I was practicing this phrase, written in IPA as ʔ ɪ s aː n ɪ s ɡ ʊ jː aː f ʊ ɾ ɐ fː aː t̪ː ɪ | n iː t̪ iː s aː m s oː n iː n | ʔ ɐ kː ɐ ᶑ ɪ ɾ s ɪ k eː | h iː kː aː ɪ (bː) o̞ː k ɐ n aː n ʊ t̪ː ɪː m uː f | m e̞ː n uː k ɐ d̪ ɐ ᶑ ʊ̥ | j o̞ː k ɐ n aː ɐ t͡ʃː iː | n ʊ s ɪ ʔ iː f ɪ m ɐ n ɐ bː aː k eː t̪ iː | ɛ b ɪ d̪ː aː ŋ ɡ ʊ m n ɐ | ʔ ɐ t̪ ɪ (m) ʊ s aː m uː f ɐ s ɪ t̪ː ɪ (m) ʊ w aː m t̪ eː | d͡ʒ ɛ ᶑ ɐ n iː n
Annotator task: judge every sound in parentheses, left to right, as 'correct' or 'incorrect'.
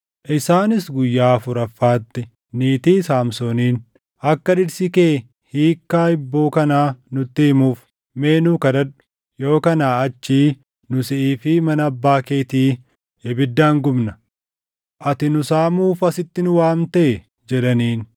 correct, incorrect, incorrect

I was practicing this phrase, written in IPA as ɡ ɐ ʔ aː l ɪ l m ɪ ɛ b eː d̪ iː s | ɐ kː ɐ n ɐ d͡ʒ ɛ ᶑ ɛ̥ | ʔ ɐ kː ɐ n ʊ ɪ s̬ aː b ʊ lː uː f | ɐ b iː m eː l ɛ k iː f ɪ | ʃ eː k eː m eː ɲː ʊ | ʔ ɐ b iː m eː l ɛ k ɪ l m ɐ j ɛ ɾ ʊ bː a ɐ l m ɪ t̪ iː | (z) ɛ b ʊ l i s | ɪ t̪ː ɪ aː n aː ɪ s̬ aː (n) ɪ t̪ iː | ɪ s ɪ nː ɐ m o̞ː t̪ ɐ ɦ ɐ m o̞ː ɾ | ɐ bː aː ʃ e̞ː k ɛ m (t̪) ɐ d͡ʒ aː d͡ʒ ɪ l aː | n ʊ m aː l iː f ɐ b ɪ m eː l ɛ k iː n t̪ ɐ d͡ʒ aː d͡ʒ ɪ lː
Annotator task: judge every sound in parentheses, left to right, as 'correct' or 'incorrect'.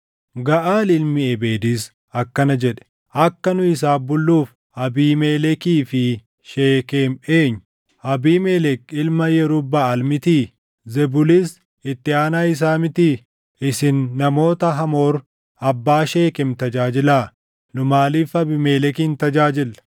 correct, incorrect, correct

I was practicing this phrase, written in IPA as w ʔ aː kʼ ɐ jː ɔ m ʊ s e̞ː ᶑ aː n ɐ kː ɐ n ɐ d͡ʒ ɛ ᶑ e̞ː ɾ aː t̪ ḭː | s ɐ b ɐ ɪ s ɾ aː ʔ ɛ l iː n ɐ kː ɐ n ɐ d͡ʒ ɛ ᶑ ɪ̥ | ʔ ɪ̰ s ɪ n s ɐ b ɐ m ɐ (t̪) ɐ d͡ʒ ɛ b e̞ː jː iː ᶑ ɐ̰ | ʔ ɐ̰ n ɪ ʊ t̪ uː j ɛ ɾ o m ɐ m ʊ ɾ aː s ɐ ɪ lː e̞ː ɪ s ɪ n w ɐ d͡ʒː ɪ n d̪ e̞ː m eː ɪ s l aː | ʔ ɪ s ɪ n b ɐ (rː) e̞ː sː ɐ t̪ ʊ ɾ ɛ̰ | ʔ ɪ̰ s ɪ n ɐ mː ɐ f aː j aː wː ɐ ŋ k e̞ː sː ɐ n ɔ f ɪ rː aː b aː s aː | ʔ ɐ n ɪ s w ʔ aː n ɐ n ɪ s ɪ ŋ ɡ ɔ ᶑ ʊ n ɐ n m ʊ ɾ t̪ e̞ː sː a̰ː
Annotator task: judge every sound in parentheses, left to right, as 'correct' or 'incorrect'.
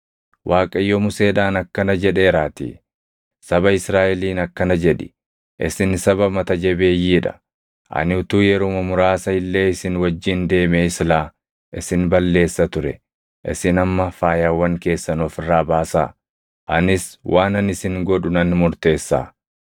correct, incorrect

